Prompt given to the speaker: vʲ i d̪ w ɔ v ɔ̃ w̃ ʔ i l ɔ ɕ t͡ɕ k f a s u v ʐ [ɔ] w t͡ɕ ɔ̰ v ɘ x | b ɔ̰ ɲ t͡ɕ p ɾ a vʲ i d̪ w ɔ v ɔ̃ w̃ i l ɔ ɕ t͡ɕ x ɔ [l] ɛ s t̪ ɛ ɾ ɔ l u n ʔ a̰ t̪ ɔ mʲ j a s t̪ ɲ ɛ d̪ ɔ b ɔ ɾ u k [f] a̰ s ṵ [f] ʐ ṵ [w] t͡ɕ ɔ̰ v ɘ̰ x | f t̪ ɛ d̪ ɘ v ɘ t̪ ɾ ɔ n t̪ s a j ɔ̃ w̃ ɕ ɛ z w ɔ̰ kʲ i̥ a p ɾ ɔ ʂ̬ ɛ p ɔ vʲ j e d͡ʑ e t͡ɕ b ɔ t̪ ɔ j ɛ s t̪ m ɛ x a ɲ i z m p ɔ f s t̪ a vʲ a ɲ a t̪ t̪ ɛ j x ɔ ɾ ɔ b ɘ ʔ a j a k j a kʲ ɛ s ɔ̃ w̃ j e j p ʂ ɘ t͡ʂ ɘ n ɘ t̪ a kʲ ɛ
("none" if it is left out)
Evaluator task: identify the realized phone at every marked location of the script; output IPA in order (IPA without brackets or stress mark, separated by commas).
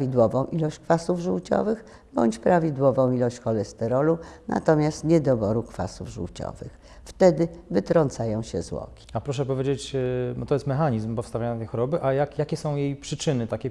u, l, f, v, w